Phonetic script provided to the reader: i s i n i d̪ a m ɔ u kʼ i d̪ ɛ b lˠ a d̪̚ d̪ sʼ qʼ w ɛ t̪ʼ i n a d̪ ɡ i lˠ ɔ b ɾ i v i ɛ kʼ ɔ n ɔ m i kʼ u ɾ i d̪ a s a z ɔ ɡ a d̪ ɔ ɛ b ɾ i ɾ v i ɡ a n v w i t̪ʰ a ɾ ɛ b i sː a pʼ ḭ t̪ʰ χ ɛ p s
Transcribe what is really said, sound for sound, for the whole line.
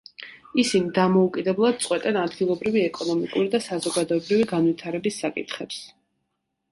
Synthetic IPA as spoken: i s i n i d̪ a m ɔ u kʼ i d̪ ɛ b lˠ a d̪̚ t̪ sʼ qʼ w ɛ t̪ʼ ɛ n a d̪ ɡ i lˠ ɔ b ɾ i v i ɛ kʼ ɔ n ɔ m i kʼ u ɾ i d̪ a s a z ɔ ɡ a d̪ ɔ ɛ b ɾ i v i ɡ a n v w i t̪ʰ a ɾ ɛ b i sː a kʼ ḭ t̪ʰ χ ɛ p s